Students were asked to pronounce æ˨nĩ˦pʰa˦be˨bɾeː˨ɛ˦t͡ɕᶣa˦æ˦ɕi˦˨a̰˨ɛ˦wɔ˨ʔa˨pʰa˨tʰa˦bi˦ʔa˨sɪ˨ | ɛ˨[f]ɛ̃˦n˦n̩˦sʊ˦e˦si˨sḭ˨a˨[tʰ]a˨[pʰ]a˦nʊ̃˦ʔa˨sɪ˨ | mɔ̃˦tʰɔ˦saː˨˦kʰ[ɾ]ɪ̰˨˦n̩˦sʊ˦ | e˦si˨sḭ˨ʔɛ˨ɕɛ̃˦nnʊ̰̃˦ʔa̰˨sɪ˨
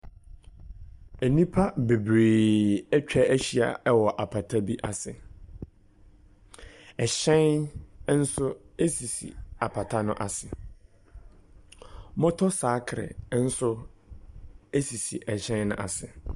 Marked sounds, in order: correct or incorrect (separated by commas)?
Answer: incorrect, incorrect, incorrect, correct